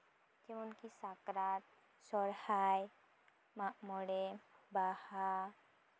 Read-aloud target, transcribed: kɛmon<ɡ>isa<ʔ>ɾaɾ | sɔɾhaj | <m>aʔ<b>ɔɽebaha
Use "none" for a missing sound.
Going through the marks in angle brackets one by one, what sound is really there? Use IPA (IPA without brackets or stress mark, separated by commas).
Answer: k, k, m, m